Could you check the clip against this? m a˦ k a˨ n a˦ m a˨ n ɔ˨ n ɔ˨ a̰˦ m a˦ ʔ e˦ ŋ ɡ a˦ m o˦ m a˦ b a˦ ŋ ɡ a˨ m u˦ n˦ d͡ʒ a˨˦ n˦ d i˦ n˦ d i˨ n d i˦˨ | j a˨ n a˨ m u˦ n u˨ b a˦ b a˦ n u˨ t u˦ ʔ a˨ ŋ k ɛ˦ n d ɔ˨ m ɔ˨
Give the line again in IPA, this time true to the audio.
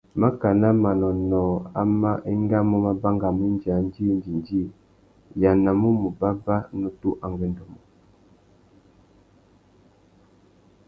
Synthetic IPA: m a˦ k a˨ n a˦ m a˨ n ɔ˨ n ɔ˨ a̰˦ m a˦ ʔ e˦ ŋ ɡ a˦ m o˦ m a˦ b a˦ ŋ ɡ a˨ m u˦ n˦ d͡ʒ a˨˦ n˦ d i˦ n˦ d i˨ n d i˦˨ | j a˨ n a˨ m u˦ m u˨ b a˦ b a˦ n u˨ t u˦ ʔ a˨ ŋ ɡ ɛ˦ n d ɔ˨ m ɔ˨

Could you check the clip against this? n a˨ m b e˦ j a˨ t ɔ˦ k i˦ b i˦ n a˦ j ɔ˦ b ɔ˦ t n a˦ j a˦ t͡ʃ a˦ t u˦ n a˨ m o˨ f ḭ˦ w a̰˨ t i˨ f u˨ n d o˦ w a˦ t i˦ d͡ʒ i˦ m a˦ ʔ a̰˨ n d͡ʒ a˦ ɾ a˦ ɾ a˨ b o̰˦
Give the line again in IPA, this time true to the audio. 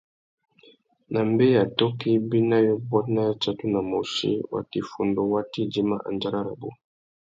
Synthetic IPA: n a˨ m b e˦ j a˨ t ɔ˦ k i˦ b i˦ n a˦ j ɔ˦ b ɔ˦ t n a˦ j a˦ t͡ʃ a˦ t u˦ n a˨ m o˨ ʃ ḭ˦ w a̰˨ t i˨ f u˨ n d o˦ w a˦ t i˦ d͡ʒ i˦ m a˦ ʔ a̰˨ n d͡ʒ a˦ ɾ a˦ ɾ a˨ b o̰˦

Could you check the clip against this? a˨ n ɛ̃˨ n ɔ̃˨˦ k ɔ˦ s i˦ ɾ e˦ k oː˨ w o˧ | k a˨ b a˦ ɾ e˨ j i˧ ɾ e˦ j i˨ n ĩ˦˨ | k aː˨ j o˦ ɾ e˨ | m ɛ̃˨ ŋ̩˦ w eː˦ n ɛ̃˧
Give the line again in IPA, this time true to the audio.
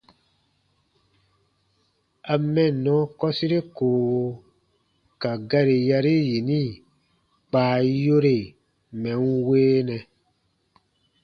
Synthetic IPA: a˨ m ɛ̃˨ n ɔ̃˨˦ k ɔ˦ s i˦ ɾ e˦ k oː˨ w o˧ | k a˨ ɡ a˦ ɾ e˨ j a˧ ɾ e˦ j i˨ n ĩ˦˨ | k͡p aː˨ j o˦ ɾ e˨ | m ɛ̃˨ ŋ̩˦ w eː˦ n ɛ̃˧

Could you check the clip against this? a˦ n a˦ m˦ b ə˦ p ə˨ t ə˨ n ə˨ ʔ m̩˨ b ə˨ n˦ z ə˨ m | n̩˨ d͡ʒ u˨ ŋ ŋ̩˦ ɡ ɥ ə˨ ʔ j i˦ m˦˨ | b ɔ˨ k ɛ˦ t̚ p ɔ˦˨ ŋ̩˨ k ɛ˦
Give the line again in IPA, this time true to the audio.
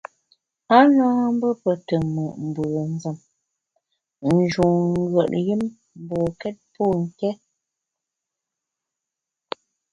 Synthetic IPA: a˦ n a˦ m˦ b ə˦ p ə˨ t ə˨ m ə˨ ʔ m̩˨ b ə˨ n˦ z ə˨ m | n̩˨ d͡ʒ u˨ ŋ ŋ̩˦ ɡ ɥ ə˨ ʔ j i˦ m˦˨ | b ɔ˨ k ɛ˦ t̚ p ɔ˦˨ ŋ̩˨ k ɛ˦

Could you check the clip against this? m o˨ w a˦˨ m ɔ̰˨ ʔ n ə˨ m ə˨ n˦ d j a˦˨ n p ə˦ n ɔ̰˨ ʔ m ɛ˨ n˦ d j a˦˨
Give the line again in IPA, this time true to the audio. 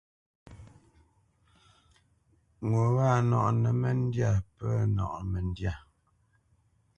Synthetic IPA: ŋ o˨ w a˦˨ n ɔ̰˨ ʔ n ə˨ m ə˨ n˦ d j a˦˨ p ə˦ n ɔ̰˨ ʔ m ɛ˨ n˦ d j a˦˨

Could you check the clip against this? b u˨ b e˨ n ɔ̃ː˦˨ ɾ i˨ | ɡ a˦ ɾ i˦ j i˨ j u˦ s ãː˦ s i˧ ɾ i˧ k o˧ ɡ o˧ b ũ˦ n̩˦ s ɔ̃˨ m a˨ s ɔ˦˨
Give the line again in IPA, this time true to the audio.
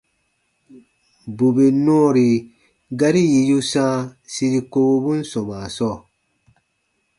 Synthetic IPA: b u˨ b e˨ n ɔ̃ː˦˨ ɾ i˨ | ɡ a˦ ɾ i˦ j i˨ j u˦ s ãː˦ s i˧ ɾ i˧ k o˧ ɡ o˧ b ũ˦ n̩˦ s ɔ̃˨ m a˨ s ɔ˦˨

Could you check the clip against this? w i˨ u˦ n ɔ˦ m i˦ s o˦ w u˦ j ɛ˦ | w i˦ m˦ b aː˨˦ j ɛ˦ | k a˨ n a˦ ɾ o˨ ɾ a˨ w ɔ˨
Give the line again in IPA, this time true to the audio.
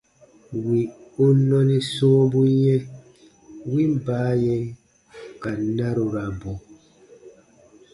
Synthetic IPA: w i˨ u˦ n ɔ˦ n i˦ s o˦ b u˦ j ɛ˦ | w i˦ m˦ b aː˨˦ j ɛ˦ | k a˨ n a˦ ɾ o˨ ɾ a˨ b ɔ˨

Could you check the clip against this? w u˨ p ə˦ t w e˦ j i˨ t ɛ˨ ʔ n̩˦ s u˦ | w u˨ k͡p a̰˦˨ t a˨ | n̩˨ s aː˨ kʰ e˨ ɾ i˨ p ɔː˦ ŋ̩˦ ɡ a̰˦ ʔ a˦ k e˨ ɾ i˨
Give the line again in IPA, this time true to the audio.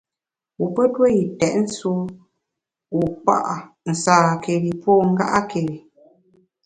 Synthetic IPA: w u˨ p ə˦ t w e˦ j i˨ t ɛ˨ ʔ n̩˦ s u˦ | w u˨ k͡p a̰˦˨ ʔ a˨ | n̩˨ s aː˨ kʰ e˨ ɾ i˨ p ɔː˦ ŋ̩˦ ɡ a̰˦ ʔ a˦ k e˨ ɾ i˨

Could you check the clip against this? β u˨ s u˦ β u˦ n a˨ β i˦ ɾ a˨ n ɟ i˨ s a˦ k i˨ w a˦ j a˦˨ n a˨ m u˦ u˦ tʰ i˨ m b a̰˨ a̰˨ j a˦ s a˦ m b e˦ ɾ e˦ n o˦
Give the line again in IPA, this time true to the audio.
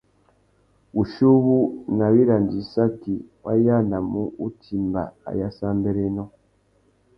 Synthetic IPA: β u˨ ʃ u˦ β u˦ n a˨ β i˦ ɾ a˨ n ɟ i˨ s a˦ k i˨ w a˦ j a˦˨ n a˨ m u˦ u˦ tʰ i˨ m b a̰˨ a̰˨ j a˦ s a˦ m b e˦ ɾ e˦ n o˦

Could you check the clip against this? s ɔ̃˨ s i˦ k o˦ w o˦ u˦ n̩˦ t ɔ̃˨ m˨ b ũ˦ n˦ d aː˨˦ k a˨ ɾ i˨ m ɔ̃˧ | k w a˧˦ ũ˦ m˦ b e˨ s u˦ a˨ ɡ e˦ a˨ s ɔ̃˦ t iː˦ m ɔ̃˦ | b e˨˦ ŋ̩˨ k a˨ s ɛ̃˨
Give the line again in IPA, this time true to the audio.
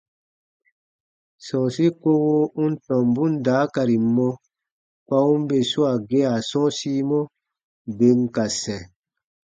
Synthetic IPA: s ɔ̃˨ s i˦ k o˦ w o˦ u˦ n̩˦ t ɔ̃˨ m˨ b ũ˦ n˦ d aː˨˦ k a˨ ɾ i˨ m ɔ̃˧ | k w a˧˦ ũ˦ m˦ b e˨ s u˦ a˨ ɡ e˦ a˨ s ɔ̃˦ s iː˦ m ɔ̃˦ | b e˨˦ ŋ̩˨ k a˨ s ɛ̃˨

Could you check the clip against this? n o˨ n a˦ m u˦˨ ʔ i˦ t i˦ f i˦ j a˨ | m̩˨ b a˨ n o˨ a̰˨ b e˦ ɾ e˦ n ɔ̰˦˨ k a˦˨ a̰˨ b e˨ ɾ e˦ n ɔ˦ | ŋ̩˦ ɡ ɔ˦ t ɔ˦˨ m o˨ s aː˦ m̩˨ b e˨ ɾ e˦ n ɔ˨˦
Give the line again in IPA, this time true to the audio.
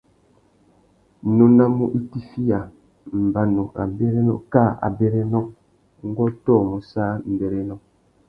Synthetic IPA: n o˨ n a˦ m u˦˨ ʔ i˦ t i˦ f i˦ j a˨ | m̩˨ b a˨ n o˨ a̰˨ b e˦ ɾ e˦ n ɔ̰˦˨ k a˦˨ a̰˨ b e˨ ɾ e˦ n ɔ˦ | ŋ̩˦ ɡ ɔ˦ t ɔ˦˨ m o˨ s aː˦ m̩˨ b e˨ ɾ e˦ n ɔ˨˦

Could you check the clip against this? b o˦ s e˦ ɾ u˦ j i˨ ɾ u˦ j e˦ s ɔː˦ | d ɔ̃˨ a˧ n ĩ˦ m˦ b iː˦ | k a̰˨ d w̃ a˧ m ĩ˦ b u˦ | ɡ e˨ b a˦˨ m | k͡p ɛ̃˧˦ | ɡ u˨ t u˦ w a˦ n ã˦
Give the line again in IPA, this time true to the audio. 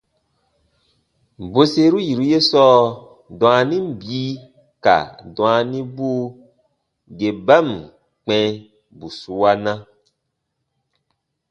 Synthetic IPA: b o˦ s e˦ ɾ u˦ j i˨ ɾ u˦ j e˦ s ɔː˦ | d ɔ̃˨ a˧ n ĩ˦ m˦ b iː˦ | k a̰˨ d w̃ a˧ n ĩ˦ b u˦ | ɡ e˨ b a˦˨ m | k͡p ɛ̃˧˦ | b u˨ s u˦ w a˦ n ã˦

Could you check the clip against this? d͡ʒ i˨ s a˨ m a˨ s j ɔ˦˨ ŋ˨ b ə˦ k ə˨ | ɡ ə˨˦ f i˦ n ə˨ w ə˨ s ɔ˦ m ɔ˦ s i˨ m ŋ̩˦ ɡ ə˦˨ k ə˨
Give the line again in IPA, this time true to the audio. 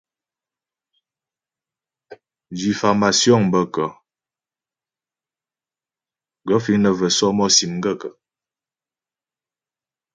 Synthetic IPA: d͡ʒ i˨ f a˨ m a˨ s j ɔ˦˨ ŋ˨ b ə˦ k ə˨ | ɡ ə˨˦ f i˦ n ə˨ v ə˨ s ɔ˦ m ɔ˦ s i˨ m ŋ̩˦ ɡ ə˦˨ k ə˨

